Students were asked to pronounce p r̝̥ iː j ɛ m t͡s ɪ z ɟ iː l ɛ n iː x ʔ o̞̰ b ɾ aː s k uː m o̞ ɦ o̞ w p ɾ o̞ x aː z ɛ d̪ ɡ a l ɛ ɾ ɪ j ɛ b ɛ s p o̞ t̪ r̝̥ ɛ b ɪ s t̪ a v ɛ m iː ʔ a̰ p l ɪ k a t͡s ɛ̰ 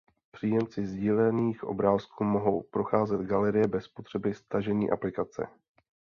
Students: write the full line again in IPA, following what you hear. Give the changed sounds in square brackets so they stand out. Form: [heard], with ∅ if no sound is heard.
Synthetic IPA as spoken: p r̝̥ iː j ɛ m t͡s ɪ z ɟ iː l ɛ n iː x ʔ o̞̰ b ɾ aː s k uː m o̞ ɦ o̞ w p ɾ o̞ x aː z ɛ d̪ ɡ a l ɛ ɾ ɪ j ɛ b ɛ s p o̞ t̪ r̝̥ ɛ b ɪ s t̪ a [ʒ] ɛ [ɲ] iː ʔ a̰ p l ɪ k a t͡s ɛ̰